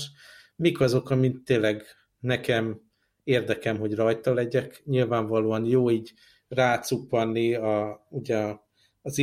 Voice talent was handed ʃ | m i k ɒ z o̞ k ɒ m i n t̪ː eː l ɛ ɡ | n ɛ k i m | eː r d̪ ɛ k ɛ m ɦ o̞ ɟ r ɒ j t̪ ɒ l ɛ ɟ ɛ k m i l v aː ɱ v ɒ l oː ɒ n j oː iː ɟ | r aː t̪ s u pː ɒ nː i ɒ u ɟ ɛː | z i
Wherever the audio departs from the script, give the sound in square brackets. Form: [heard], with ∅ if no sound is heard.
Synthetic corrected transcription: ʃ | m i k ɒ z o̞ k ɒ m i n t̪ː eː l ɛ ɡ | n ɛ k [ɛ] m | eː r d̪ ɛ k ɛ m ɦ o̞ ɟ r ɒ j t̪ ɒ l ɛ ɟ ɛ k [ɲ] i l v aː ɱ v ɒ l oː ɒ n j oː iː ɟ | r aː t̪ s u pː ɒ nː i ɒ u ɟ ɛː | z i